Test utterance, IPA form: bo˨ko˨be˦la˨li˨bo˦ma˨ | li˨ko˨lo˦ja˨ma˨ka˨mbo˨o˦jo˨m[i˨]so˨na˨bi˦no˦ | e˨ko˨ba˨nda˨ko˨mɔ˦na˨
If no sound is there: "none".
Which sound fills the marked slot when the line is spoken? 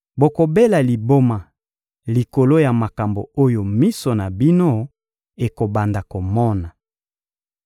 i˦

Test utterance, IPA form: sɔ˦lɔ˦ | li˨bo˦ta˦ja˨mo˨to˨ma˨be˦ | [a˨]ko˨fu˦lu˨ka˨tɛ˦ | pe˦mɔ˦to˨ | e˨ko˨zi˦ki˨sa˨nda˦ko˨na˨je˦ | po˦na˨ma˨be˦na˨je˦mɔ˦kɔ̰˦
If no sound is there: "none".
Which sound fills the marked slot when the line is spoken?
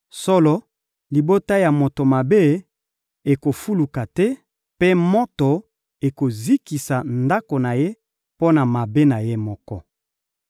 e˨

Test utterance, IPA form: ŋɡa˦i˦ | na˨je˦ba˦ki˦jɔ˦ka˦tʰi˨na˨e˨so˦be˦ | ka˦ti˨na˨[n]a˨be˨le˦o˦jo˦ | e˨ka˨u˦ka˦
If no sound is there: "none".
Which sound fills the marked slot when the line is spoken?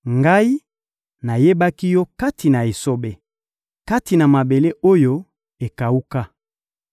m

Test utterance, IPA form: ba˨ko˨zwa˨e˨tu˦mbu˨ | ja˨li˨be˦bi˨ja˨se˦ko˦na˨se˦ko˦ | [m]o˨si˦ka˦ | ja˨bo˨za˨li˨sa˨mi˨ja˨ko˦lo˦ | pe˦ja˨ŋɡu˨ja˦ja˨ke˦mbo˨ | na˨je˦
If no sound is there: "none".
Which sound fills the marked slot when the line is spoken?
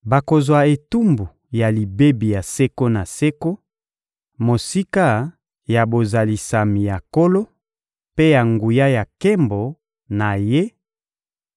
m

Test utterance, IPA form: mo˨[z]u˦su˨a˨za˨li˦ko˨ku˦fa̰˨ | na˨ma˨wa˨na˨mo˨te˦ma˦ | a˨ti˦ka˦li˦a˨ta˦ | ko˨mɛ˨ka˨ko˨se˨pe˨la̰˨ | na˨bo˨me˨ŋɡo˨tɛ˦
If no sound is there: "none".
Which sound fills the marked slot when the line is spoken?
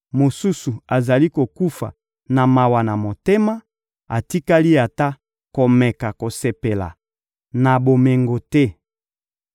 s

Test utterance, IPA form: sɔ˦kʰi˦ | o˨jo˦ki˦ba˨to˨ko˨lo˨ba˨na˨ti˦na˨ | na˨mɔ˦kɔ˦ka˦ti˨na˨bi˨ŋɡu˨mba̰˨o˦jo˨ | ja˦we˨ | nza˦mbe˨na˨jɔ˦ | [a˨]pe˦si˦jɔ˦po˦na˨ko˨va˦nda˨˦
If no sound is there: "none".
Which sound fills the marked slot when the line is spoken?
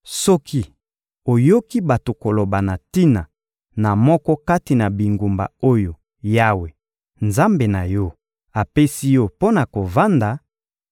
a˨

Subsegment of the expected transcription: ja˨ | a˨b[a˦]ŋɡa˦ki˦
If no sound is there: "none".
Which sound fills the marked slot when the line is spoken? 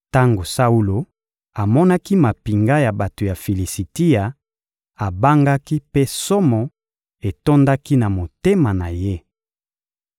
a˦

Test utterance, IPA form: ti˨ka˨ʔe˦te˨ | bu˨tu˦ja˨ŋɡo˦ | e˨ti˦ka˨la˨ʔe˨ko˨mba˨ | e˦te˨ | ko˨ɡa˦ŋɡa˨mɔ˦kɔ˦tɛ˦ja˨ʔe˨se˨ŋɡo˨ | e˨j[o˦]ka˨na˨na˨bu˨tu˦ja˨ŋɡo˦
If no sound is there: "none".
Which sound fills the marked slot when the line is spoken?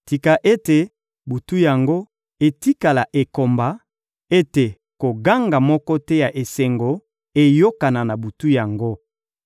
o˦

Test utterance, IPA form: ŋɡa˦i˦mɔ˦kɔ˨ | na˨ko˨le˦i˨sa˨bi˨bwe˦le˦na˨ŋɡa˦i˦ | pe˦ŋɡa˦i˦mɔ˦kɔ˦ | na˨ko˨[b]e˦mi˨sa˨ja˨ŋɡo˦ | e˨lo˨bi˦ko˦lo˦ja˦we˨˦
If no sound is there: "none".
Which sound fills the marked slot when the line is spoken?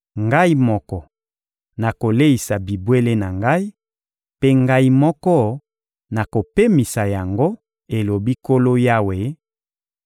p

